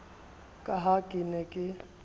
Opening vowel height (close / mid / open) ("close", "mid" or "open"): open